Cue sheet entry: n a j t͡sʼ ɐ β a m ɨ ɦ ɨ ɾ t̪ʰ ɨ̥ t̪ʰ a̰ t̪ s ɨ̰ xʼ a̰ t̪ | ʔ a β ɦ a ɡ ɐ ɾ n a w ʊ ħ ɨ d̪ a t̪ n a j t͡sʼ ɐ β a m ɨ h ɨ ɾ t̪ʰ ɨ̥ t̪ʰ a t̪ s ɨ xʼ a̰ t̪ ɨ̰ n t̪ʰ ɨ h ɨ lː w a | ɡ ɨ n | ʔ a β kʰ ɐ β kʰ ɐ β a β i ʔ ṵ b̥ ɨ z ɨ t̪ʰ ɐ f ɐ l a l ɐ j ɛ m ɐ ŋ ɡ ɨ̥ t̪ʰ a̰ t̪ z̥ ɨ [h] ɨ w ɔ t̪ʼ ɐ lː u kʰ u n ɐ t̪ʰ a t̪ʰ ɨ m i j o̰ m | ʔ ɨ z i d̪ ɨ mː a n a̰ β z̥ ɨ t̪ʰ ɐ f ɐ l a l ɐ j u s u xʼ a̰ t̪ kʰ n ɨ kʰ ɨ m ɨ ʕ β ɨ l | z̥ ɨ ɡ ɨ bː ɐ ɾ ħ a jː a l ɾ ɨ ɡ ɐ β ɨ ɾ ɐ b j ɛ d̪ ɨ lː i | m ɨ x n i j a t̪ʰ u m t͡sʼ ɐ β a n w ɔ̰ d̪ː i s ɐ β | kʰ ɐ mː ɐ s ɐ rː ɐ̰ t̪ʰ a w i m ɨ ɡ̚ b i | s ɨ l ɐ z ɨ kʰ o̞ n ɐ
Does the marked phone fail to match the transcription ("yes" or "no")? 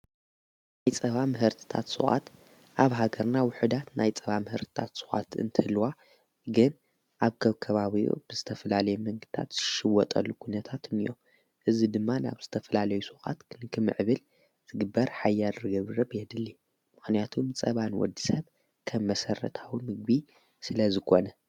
yes